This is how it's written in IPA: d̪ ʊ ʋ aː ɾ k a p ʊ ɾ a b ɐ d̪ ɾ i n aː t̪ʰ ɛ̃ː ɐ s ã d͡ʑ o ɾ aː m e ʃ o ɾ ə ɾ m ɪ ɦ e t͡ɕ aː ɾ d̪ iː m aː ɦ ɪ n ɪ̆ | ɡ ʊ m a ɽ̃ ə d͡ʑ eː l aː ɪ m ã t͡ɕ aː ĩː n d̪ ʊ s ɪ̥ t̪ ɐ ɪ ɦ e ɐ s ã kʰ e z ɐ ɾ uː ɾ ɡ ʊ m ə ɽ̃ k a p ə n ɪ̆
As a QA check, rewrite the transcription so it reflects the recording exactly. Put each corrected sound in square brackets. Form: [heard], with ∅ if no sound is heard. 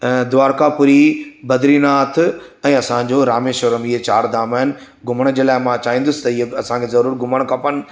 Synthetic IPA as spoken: d̪ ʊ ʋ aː ɾ k a p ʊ ɾ [i] b ɐ d̪ ɾ i n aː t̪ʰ ɛ̃ː ɐ s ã d͡ʑ o ɾ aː m e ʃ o ɾ ə [∅] m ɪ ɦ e t͡ɕ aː ɾ d̪ [aː] m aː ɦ ɪ n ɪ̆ | ɡ ʊ m [ə] ɽ̃ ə d͡ʑ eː l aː ɪ m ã t͡ɕ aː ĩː n d̪ ʊ s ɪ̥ t̪ ɐ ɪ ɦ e ɐ s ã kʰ e z ɐ ɾ uː ɾ ɡ ʊ m ə ɽ̃ k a p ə n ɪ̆